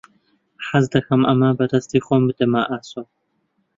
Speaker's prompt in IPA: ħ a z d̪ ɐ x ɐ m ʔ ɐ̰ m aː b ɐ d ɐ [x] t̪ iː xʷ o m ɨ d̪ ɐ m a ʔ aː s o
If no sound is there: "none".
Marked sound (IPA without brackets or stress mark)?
s